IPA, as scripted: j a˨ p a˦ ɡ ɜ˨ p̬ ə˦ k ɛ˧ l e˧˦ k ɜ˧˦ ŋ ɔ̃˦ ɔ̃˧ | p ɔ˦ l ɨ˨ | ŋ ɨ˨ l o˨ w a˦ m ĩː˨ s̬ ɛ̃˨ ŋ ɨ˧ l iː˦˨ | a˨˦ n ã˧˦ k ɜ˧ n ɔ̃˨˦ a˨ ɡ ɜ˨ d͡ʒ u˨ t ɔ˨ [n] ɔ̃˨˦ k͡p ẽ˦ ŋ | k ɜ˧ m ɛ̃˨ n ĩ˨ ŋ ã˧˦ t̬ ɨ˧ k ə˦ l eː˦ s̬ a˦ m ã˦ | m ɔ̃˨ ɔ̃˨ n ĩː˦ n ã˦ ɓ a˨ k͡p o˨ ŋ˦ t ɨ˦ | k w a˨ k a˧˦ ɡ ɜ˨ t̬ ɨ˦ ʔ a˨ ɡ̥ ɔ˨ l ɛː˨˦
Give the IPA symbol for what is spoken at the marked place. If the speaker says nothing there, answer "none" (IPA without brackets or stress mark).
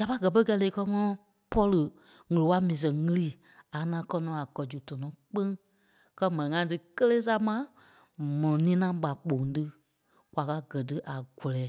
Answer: n